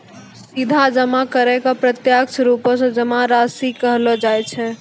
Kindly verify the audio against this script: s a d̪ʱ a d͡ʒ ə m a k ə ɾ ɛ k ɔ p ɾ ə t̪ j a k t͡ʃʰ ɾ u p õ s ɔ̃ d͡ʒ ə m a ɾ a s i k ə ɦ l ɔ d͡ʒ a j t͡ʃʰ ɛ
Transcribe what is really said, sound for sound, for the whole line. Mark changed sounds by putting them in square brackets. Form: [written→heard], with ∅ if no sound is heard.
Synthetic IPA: s [a→i] d̪ʱ a d͡ʒ ə m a k ə ɾ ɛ k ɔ p ɾ ə t̪ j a k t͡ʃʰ ɾ u p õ s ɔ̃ d͡ʒ ə m a ɾ a s i k ə ɦ l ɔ d͡ʒ a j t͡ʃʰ ɛ

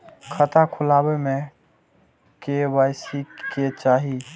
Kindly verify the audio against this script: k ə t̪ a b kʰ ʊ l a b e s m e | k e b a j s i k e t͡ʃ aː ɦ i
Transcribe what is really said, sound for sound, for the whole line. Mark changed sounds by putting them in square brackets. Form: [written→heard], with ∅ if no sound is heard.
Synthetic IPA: [k→kʰ] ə t̪ a [b→∅] kʰ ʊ l a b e [s→∅] m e | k e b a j s i k e t͡ʃ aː ɦ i

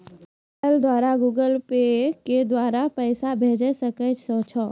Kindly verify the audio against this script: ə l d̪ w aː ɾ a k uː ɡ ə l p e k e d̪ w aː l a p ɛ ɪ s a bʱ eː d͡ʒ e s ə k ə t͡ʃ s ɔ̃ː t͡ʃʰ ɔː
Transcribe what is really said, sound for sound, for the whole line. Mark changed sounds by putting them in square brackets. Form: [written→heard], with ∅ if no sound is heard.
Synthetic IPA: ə l d̪ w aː ɾ a [k→ɡ] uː ɡ ə l p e k e d̪ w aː [l→ɾ] a p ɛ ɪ s a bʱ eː d͡ʒ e s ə k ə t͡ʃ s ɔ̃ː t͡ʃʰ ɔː

